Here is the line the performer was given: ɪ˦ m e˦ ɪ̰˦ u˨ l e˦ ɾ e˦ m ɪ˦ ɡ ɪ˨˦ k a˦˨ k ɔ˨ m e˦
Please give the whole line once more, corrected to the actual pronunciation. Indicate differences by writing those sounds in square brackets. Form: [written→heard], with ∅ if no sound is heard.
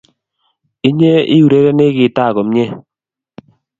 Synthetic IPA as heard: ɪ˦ [m→ɲ] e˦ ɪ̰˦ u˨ [l→ɾ] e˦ ɾ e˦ [m→n] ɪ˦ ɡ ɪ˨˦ [k→t] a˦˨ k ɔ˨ m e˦